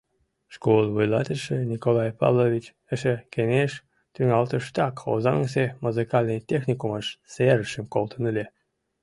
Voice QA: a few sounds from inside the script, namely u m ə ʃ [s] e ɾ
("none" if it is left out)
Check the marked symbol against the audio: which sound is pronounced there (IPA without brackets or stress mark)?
s